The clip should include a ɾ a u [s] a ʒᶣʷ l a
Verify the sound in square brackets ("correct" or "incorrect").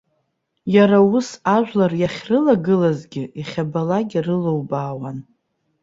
correct